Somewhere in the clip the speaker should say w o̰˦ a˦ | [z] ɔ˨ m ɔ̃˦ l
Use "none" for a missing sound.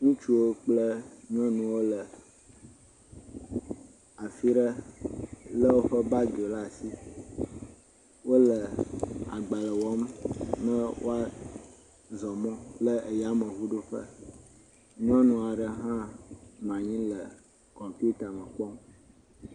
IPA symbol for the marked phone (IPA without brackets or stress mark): z